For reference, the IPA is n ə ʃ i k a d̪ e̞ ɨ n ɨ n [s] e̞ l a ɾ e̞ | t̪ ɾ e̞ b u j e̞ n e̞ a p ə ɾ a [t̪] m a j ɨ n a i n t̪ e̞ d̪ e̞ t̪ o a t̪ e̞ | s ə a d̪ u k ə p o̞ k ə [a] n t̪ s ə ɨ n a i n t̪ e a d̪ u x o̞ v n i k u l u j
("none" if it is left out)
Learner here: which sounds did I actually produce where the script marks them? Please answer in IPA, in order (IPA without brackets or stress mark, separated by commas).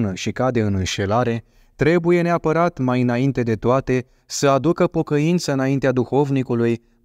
ʃ, t̪, i